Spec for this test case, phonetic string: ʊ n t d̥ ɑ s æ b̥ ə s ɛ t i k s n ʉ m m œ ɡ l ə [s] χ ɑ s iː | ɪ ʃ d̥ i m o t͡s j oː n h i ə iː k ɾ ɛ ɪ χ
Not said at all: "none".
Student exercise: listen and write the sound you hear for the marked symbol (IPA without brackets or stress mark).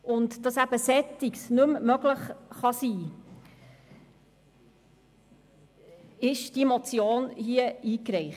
χ